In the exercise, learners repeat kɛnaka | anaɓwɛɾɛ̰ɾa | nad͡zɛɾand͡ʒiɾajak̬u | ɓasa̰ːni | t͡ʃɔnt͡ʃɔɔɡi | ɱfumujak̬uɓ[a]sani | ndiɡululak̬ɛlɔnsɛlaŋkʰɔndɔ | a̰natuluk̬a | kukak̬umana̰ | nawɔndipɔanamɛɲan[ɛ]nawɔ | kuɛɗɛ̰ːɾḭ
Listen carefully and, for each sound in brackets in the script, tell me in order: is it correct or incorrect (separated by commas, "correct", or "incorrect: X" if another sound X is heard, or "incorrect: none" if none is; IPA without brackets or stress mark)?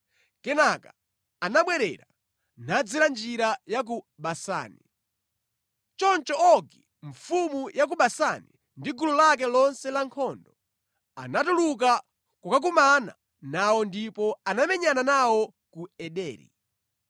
correct, incorrect: a